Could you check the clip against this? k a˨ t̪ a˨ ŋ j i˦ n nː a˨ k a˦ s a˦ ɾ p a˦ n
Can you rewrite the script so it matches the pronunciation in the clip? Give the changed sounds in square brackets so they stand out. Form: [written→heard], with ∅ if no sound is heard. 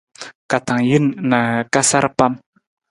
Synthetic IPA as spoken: k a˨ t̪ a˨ ŋ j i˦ n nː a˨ k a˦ s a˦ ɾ p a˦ [n→m]